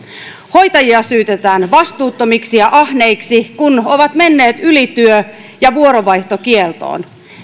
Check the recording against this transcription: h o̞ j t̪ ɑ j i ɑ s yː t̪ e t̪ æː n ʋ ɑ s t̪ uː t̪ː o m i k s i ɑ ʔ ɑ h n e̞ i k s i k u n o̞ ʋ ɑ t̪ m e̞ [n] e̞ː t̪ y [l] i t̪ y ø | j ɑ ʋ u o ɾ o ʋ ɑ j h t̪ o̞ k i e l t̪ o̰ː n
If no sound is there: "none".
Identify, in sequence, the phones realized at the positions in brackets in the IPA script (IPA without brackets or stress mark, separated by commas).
nː, l